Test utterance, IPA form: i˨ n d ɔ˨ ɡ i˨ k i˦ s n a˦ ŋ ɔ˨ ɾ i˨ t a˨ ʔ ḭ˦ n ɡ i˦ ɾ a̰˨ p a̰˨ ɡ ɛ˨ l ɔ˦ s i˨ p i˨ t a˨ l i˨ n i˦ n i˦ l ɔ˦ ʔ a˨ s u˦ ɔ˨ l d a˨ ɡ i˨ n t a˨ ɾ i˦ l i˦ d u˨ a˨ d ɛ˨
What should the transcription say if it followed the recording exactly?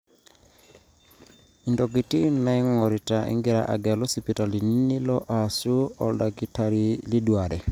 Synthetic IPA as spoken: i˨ n d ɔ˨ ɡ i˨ t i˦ n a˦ ŋ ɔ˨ ɾ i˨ t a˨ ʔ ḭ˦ ŋ ɡ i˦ ɾ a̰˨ ʔ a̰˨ ɡ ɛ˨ l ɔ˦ s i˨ p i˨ t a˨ l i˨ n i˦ n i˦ l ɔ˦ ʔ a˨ s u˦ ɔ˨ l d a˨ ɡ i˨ t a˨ ɾ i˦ l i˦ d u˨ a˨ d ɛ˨